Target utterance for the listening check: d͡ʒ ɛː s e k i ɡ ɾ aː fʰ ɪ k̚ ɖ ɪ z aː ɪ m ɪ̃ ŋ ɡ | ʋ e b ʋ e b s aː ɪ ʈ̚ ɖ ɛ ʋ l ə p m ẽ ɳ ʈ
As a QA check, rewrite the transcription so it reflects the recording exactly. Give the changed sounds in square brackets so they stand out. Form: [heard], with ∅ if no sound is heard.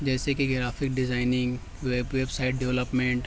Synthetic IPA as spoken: d͡ʒ ɛː s e k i ɡ ɾ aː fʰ ɪ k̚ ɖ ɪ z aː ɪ [n] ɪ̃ ŋ ɡ | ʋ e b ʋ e b s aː ɪ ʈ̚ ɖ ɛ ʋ l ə p m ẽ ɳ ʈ

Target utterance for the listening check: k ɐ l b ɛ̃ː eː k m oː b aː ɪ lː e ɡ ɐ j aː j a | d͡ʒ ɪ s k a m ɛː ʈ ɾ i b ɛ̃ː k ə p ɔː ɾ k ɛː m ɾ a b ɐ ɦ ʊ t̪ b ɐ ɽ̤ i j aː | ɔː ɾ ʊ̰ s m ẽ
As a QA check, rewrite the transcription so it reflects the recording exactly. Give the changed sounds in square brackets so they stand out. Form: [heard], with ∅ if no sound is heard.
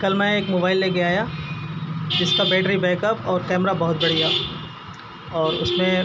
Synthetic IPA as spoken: k ɐ l [m] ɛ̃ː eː k m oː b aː ɪ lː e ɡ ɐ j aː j a | d͡ʒ ɪ s k a [b] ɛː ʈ ɾ i b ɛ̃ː k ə p ɔː ɾ k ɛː m ɾ a b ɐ ɦ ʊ t̪ b ɐ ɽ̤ i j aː | ɔː ɾ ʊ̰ s m ẽ

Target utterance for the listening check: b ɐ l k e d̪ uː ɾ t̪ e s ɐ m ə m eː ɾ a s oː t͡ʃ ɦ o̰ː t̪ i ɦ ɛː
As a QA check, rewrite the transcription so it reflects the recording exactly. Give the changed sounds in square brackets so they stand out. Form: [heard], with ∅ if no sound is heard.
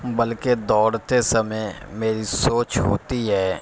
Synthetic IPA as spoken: b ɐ l k e d̪ [ɔː] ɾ t̪ e s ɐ m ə m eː ɾ [i] s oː t͡ʃ ɦ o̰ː t̪ i ɦ ɛː

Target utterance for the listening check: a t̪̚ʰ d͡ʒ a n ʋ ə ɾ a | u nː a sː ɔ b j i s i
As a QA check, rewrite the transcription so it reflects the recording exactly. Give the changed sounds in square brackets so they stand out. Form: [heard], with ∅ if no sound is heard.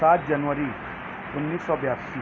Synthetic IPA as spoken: a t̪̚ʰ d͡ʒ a n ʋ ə ɾ [i] | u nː [i] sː ɔ b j [a] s i

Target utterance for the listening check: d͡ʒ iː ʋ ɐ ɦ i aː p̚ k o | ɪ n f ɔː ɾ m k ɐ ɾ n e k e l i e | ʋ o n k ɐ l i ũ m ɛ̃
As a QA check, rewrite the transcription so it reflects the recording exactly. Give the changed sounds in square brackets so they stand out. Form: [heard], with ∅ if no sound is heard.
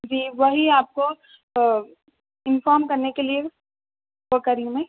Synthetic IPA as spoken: d͡ʒ iː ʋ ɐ ɦ i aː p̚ k o | ɪ n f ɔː ɾ m k ɐ ɾ n e k e l i e | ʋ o [∅] k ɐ [ɾ] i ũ m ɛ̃

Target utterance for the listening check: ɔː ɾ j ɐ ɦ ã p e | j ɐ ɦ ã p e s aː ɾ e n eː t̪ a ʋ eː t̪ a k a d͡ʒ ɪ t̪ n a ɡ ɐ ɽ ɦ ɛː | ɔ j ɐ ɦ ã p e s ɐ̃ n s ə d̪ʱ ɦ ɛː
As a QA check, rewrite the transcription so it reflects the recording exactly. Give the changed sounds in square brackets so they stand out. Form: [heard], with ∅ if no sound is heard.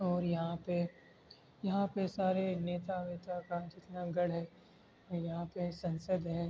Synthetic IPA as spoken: ɔː ɾ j ɐ ɦ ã p e | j ɐ ɦ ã p e s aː ɾ e n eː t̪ a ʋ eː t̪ a k a d͡ʒ ɪ t̪ n a ɡ ɐ ɽ ɦ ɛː | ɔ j ɐ ɦ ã p e s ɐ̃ n s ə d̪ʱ ɦ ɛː

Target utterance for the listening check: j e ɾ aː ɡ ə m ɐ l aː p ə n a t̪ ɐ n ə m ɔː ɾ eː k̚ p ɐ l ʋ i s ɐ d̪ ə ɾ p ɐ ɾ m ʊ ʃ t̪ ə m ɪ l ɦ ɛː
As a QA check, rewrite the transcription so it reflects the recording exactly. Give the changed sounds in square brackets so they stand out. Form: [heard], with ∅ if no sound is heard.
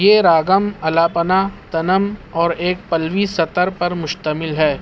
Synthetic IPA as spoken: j e ɾ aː ɡ ə m ɐ l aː p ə n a t̪ ɐ n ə m ɔː ɾ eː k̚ p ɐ l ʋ i s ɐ [t̪] ə ɾ p ɐ ɾ m ʊ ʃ t̪ ə m ɪ l ɦ ɛː

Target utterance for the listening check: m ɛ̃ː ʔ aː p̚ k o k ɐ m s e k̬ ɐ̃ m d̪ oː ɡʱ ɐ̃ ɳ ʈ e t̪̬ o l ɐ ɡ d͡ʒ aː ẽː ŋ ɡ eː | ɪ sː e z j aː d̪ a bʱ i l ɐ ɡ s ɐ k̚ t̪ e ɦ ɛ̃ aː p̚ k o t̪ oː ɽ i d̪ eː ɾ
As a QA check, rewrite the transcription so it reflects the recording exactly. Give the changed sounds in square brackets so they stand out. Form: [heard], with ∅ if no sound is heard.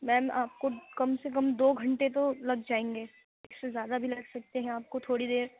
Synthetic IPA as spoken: m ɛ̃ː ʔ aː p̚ k o k ɐ m s e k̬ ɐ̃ m d̪ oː ɡʱ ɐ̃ ɳ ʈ e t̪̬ o l ɐ ɡ d͡ʒ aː ẽː ŋ ɡ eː | ɪ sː e z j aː d̪ a bʱ i l ɐ ɡ s ɐ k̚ t̪ e ɦ ɛ̃ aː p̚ k o [t̪ʰ] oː ɽ i d̪ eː ɾ

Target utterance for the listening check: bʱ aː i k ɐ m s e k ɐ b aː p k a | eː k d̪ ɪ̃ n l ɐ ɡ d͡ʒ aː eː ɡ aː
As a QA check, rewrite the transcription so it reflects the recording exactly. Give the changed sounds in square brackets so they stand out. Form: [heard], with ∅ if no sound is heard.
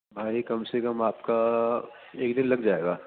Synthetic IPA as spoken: bʱ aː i k ɐ m s e k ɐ [m] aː p k a | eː k d̪ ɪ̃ n l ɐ ɡ d͡ʒ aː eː ɡ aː

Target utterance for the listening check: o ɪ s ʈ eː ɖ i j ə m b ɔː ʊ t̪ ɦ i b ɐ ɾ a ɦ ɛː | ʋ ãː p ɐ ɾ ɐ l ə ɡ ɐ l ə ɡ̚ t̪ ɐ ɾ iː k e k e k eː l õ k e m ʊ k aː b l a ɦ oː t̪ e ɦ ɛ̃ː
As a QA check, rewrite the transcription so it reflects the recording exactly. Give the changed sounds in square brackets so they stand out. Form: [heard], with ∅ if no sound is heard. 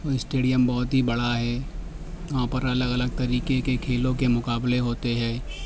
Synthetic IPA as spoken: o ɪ s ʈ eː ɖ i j ə m b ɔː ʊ t̪ ɦ i b ɐ [ɽ] a ɦ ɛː | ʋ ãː p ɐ ɾ ɐ l ə ɡ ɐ l ə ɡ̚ t̪ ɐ ɾ iː k e k e [kʰ] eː l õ k e m ʊ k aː b l [e] ɦ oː t̪ e ɦ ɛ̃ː

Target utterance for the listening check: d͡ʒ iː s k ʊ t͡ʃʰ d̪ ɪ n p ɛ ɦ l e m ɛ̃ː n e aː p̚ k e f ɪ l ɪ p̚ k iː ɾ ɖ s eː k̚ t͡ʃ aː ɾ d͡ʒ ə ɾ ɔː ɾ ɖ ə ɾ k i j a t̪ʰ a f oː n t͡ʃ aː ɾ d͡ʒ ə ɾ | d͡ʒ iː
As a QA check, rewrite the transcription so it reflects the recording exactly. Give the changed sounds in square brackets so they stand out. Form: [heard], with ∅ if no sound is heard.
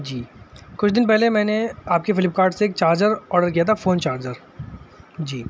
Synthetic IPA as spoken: d͡ʒ iː [∅] k ʊ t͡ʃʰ d̪ ɪ n p ɛ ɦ l e m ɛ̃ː n e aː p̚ k e f ɪ l ɪ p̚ k [aː] ɾ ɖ s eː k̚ t͡ʃ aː ɾ d͡ʒ ə ɾ ɔː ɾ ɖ ə ɾ k i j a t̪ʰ a f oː n t͡ʃ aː ɾ d͡ʒ ə ɾ | d͡ʒ iː

